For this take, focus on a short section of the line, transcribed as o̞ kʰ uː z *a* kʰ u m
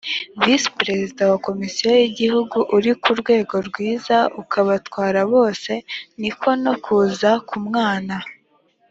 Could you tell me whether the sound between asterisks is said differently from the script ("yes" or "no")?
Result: no